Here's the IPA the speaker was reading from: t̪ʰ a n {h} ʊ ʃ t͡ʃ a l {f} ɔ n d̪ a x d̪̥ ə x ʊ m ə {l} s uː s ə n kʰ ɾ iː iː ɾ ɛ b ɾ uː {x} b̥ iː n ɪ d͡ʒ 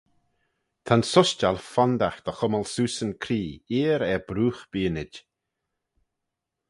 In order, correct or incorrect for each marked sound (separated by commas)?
incorrect, correct, correct, correct